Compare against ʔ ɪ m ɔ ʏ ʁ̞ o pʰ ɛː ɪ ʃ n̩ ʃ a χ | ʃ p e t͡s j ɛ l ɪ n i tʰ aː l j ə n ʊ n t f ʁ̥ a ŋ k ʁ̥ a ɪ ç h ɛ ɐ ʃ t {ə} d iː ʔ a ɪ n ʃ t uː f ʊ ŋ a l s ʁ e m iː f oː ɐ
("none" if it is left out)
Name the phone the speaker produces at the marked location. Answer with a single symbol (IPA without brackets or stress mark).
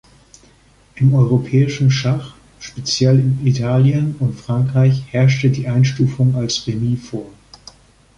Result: ə